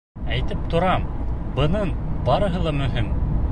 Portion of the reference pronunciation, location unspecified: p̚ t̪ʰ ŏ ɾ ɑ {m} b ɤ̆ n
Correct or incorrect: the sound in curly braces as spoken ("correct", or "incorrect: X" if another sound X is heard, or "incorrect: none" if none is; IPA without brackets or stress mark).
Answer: correct